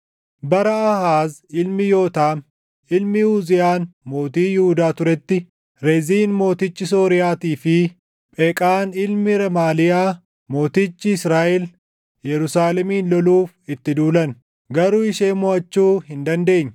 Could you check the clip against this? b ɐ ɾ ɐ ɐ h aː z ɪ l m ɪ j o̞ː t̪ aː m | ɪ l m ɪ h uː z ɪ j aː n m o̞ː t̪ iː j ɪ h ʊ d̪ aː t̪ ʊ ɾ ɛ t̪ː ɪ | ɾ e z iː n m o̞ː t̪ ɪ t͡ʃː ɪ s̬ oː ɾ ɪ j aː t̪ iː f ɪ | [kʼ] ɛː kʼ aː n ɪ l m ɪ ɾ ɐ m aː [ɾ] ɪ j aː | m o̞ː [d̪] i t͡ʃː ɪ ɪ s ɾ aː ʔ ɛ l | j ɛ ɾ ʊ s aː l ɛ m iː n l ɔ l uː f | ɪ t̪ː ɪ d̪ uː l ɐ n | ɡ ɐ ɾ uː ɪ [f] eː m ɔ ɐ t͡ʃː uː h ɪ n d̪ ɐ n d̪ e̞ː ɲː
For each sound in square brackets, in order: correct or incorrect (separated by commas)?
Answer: incorrect, incorrect, incorrect, incorrect